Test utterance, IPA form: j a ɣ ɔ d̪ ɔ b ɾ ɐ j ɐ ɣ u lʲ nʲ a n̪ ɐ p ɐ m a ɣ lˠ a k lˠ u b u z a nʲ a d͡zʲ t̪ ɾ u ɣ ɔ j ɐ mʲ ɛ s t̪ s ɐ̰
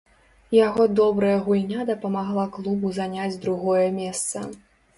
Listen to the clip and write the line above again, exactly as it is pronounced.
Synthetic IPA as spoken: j a ɣ ɔ d̪ ɔ b ɾ ɐ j ɐ ɣ u lʲ nʲ a d̪ ɐ p ɐ m a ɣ lˠ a k lˠ u b u z a nʲ a d͡zʲ d̪ ɾ u ɣ ɔ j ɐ mʲ ɛ s t̪ s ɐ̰

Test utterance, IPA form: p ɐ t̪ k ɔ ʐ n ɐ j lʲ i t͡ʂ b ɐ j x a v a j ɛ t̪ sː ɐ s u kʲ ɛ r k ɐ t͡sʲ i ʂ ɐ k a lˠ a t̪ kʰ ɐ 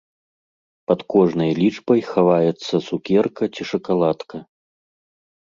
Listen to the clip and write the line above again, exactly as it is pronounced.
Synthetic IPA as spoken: p ɐ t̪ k ɔ ʐ n ɐ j lʲ i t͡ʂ b ɐ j x a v a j ɛ t̪ sː ɐ s u kʲ ɛ r k ɐ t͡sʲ i ʂ ɐ k a lˠ a t̪ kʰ ɐ

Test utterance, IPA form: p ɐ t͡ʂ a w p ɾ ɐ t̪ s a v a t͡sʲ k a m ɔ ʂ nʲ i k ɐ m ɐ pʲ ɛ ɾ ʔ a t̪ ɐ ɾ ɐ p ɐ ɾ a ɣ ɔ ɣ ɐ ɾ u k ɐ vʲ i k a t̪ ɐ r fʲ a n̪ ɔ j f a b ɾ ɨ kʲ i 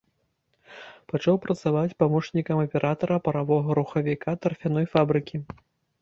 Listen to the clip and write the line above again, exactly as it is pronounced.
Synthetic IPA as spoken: p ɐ t͡ʂ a w p ɾ ɐ t̪ s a v a t͡sʲ p a m ɔ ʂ nʲ i k ɐ m ɐ pʲ ɛ ɾ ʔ a t̪ ɐ ɾ ɐ p ɐ ɾ a v ɔ ɣ ɐ ɾ u x ɐ vʲ i k a t̪ ɐ r fʲ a n̪ ɔ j f a b ɾ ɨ kʲ i

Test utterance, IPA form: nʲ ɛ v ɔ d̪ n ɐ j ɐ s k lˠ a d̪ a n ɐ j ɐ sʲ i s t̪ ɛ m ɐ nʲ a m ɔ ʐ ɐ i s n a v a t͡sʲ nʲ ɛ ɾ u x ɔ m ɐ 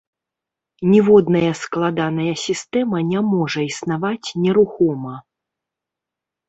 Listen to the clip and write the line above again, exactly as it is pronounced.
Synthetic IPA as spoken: nʲ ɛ v ɔ d̪ n ɐ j ɐ s k lˠ a d̪ a n ɐ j ɐ sʲ i s t̪ ɛ m ɐ nʲ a m ɔ ʐ ɐ i s n a v a t͡sʲ nʲ ɛ ɾ u x ɔ m ɐ

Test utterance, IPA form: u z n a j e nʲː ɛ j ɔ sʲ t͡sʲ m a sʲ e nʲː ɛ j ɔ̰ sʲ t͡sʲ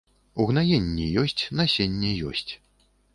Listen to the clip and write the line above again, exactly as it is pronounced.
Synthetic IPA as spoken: u ɣ n a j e nʲː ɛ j ɔ sʲ t͡sʲ n a sʲ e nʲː ɛ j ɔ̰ sʲ t͡sʲ

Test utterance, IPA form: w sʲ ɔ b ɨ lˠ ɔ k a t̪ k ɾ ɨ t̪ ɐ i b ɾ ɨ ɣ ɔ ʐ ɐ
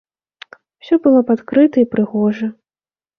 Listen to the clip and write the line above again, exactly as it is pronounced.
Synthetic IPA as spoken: w sʲ ɔ b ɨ lˠ ɔ p a t̪ k ɾ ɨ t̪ ɐ i p ɾ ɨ ɣ ɔ ʐ ɐ

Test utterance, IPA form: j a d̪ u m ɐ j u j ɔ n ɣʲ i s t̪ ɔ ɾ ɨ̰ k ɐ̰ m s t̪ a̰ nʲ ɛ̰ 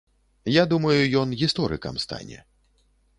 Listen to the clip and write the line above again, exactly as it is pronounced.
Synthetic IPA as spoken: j a d̪ u m ɐ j u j ɔ n ɣʲ i s t̪ ɔ ɾ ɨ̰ k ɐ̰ m s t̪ a̰ nʲ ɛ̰

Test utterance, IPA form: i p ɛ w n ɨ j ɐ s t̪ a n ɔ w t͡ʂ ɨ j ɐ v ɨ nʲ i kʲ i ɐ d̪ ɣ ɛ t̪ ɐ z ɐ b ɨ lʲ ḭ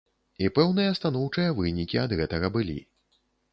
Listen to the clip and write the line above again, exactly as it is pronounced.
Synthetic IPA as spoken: i p ɛ w n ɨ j ɐ s t̪ a n ɔ w t͡ʂ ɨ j ɐ v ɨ nʲ i kʲ i ɐ d̪ ɣ ɛ t̪ ɐ ɣ ɐ b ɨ lʲ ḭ

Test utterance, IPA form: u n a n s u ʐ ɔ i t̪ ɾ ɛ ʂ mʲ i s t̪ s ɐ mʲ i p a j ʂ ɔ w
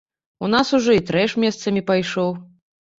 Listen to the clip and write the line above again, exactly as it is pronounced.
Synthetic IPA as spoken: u n a s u ʐ ɔ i t̪ ɾ ɛ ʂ mʲ ɛ s t̪ s ɐ mʲ i p a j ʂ ɔ w

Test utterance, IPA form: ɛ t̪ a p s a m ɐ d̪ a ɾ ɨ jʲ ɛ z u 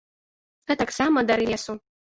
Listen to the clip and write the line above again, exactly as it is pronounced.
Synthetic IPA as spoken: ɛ t̪ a k s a m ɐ d̪ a ɾ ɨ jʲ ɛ s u

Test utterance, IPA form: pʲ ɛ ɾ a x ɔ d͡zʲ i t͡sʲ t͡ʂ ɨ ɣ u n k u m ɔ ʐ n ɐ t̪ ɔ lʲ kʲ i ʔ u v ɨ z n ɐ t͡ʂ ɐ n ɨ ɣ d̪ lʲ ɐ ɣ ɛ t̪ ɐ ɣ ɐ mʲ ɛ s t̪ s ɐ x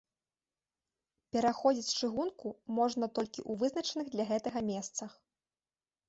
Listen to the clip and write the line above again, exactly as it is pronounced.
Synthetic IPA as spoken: pʲ ɛ ɾ a x ɔ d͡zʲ i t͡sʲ t͡ʂ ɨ ɣ u n k u m ɔ ʐ n ɐ t̪ ɔ lʲ kʲ i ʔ u v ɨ z n ɐ t͡ʂ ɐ n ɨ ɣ d̪ lʲ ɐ ɣ ɛ t̪ ɐ ɣ ɐ mʲ ɛ s t̪ s ɐ x

